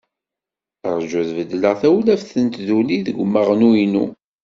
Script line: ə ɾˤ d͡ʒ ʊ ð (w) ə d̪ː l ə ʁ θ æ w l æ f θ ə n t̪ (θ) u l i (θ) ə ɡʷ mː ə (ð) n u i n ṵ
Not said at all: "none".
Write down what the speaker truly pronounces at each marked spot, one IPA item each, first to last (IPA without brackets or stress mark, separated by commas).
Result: v, ð, ð, ʁ